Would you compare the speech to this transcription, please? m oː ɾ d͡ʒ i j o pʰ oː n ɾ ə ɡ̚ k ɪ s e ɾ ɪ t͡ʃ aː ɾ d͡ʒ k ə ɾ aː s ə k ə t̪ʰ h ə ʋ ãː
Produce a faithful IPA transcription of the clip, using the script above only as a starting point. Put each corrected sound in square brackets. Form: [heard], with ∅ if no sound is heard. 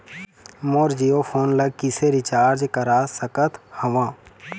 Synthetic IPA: m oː ɾ d͡ʒ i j o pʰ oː n [l] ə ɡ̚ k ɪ s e ɾ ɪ t͡ʃ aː ɾ d͡ʒ k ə ɾ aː s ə k ə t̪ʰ h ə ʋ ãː

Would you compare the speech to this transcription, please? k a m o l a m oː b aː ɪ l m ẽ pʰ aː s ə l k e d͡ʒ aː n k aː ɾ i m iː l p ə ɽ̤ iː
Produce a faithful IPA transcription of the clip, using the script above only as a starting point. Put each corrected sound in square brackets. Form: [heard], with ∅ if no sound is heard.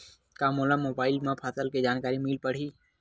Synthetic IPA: k a m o l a m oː b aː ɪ l m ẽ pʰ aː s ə l k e d͡ʒ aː n k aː ɾ i m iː l p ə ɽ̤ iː

